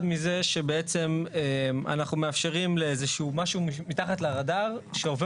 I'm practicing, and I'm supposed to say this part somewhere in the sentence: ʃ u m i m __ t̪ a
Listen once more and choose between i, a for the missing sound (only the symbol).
i